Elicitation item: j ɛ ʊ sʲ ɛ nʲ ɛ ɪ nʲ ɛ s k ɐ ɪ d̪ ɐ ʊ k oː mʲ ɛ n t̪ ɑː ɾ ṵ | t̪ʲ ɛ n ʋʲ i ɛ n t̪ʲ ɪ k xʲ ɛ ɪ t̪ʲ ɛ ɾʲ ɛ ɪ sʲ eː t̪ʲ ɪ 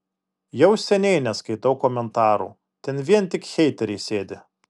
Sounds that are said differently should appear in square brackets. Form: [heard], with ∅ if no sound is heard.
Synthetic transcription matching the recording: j ɛ ʊ sʲ ɛ nʲ ɛ ɪ nʲ ɛ s k ɐ ɪ [t̪] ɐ ʊ k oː mʲ ɛ n t̪ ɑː ɾ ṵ | t̪ʲ ɛ n ʋʲ i ɛ n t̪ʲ ɪ k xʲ ɛ ɪ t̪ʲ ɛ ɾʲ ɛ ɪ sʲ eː [d̪ʲ] ɪ